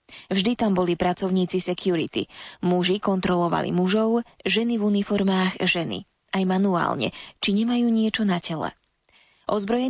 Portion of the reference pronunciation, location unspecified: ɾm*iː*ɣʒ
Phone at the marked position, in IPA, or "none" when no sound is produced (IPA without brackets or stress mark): aː